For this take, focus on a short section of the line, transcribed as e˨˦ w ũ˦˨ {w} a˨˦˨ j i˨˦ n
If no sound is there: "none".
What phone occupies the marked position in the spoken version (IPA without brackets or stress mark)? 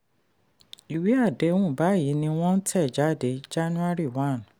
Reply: b